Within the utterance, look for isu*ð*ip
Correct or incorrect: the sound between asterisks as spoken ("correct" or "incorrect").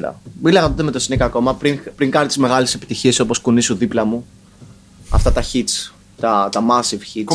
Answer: correct